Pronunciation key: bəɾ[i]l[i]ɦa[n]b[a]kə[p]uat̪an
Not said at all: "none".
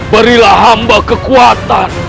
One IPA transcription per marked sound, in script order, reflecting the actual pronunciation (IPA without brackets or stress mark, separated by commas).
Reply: i, a, m, a, k